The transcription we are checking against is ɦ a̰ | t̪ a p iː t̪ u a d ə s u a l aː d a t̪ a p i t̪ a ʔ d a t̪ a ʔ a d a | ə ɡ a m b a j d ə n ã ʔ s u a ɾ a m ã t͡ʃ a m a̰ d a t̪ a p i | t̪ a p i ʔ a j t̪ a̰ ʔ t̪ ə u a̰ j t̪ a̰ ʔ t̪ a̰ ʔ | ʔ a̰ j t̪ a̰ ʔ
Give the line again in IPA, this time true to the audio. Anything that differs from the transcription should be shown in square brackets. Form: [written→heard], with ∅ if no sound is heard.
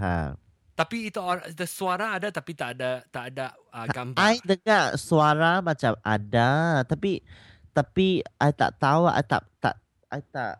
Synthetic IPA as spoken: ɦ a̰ | t̪ a p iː t̪ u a d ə s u a [l→ɾ] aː d a t̪ a p i t̪ a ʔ d a t̪ a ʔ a d a | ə ɡ a m b a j d ə [n→ŋ] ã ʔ s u a ɾ a m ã t͡ʃ a m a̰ d a t̪ a p i | t̪ a p i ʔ a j t̪ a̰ ʔ t̪ [ə→a] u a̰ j t̪ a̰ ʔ t̪ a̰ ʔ | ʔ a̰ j t̪ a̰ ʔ